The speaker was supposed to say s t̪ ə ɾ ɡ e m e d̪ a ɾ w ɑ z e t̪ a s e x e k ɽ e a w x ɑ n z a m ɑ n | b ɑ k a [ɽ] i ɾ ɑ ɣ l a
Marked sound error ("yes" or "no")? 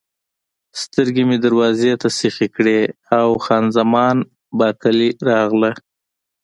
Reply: yes